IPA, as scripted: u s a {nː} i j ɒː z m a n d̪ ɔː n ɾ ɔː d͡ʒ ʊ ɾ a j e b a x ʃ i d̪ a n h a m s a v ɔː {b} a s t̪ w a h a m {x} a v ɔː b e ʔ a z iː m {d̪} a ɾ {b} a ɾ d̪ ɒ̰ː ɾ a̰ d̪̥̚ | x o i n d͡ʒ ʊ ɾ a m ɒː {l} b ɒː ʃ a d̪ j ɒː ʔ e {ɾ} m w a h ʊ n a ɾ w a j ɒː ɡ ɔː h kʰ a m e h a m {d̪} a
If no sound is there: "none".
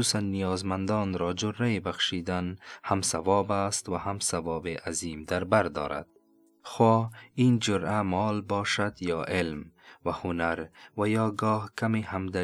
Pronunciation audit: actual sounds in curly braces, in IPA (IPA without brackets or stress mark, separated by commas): nː, b, s, d̪, b, l, l, d̪